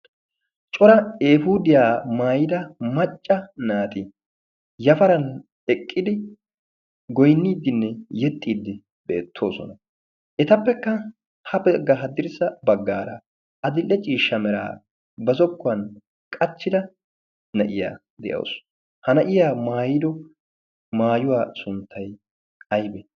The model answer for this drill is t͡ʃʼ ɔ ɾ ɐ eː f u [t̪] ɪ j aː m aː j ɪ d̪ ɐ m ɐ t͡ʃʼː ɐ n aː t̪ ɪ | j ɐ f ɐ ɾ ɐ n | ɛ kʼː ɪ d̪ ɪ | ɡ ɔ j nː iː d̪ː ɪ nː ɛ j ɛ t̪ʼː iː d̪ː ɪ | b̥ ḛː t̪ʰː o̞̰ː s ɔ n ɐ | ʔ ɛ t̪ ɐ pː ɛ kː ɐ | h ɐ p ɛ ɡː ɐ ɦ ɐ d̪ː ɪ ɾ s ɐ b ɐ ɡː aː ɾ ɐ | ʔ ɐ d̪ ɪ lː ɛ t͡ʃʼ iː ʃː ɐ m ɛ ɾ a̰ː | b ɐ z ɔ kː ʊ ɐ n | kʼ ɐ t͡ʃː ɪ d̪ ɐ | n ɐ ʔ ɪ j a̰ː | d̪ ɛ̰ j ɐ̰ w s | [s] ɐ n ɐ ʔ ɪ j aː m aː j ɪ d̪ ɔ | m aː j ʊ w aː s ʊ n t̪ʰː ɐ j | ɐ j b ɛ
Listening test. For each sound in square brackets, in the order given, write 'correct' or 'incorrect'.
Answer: incorrect: d̪, incorrect: h

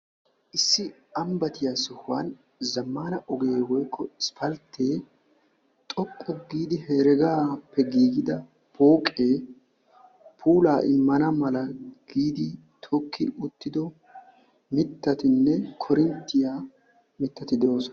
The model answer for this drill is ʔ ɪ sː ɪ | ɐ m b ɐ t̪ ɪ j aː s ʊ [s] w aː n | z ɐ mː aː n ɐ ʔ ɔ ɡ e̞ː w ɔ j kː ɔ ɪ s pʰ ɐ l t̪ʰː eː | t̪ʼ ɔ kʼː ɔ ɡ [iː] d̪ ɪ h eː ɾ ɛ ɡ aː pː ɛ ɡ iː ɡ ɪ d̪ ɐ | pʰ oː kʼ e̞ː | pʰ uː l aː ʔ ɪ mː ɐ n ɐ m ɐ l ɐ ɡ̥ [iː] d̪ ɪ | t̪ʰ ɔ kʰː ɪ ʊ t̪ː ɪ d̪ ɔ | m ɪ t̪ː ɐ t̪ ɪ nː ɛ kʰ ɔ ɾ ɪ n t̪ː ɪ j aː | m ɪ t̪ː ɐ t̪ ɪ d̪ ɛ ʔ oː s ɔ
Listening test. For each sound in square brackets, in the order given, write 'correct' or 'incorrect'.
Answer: incorrect: h, correct, correct

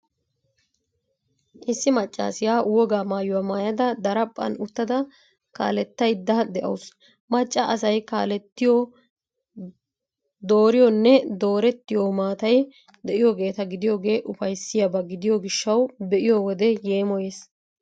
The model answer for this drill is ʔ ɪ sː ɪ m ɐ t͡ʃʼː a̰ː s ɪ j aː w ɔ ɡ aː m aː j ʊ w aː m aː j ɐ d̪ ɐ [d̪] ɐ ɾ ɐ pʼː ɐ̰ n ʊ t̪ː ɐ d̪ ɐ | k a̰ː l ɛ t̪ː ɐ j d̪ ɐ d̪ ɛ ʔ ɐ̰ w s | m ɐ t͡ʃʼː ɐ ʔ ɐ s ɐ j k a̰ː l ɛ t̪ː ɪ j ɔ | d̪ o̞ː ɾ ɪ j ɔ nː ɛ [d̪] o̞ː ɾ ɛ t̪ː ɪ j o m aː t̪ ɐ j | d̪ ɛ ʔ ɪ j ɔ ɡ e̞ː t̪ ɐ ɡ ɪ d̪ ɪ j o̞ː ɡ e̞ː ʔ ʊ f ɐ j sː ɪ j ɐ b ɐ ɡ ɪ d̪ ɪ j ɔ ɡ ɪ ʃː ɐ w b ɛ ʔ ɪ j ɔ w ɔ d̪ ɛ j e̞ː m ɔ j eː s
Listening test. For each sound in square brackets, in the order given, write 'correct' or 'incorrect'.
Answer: correct, correct

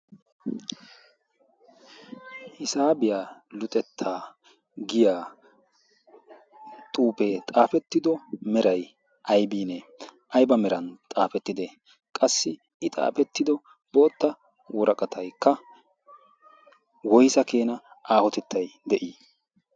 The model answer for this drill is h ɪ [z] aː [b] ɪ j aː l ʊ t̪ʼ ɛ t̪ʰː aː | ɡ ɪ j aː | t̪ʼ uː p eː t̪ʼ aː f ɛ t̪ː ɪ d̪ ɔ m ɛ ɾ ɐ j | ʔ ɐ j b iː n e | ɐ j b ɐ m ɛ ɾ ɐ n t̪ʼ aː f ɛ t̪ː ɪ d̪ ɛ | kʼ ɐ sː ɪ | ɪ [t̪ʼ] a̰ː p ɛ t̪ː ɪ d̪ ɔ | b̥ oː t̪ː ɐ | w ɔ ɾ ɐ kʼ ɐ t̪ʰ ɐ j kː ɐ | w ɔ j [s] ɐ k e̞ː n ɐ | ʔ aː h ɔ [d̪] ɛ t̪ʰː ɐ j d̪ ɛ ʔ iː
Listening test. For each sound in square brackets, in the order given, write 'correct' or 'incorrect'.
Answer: incorrect: s, correct, correct, correct, incorrect: t̪

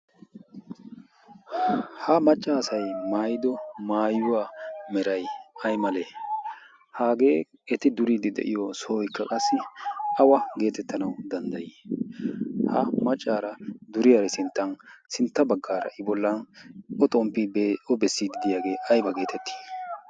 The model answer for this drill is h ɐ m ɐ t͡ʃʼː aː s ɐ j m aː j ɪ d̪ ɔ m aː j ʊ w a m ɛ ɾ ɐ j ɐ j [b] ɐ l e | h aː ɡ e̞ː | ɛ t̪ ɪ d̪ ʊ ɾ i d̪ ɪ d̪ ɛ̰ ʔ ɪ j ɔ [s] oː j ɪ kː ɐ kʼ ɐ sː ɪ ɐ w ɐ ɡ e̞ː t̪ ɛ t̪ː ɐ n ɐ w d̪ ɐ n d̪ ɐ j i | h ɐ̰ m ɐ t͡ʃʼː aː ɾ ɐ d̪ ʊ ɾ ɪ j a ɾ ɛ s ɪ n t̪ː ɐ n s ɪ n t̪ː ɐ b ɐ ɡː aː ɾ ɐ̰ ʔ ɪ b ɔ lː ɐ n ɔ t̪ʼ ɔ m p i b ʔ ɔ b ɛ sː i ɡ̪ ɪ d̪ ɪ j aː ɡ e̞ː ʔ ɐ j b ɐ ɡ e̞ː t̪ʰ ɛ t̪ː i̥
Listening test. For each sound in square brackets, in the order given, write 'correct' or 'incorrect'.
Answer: incorrect: m, correct

